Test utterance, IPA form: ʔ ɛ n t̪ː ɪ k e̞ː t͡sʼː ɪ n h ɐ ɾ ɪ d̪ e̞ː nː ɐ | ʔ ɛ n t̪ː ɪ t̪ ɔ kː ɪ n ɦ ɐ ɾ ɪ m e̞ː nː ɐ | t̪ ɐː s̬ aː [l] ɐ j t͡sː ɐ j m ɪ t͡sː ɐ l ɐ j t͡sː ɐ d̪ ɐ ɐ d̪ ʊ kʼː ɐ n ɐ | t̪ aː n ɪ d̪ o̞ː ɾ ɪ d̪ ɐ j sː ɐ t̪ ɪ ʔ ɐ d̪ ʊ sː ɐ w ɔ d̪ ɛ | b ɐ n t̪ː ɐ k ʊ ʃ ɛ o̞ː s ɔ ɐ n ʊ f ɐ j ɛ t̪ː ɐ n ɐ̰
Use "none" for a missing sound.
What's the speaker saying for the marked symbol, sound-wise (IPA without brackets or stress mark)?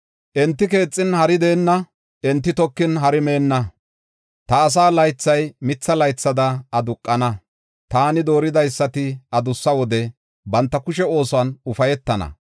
l